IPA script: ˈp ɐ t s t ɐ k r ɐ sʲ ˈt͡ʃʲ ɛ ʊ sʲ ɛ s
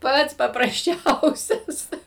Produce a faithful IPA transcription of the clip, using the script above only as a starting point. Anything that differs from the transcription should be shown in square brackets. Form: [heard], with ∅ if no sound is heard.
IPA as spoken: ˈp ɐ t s [p] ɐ [p] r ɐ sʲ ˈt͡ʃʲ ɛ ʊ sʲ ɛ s